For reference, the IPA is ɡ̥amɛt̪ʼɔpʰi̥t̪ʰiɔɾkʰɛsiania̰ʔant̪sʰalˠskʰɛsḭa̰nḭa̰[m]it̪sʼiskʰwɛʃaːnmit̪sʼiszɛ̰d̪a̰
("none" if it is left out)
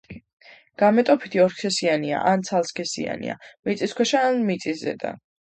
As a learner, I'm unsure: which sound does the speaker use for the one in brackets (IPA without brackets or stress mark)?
m